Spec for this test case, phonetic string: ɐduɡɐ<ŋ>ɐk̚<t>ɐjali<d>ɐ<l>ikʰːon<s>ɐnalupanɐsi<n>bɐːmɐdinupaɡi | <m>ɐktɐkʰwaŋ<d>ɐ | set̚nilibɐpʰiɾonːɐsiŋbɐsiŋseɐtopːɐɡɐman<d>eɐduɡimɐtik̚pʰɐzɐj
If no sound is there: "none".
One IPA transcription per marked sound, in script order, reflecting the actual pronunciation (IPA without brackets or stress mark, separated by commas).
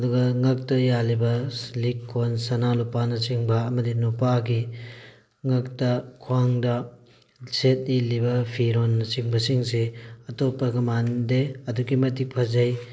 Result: ŋ, t, b, l, s, ŋ, ŋ, d, d